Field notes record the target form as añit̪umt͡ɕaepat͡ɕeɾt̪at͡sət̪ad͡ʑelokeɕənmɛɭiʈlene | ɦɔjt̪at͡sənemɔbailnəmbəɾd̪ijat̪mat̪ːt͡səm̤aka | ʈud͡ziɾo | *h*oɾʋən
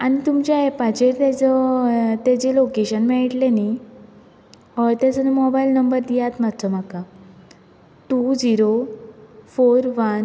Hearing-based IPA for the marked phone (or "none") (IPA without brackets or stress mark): f